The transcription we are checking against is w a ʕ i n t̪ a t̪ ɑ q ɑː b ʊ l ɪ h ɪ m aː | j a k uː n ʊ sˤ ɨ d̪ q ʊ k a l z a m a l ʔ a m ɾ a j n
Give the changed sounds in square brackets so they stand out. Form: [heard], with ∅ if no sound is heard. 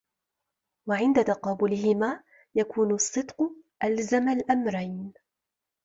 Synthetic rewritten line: w a ʕ [ɪ] n [d̪] a t̪ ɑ q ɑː b ʊ l ɪ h ɪ m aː | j a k uː n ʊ [sˤː] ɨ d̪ q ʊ [ʔ] a l z a m a l ʔ a m ɾ a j n